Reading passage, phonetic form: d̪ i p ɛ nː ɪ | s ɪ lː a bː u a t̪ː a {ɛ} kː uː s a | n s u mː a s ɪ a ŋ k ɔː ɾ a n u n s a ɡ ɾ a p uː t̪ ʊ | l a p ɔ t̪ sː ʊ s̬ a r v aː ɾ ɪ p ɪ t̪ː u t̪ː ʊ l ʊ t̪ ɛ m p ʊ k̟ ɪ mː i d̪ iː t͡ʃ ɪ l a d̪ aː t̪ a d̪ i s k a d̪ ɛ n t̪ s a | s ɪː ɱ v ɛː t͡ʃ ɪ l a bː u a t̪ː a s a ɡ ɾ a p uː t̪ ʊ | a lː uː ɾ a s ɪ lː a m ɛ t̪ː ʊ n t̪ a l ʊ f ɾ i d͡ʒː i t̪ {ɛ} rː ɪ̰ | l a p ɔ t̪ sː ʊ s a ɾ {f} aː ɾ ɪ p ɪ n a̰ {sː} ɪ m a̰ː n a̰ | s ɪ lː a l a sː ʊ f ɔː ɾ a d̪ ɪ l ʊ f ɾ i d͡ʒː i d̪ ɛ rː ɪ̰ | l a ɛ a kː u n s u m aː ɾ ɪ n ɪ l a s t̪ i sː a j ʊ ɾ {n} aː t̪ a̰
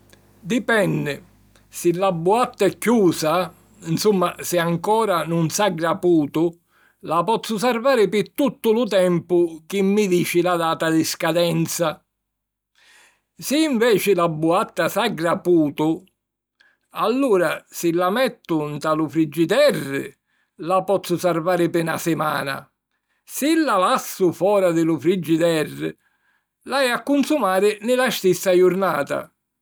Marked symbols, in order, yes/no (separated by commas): yes, yes, no, no, yes